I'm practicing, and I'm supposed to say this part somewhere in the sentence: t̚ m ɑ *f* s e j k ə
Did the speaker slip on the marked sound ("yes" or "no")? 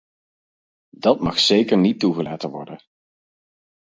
yes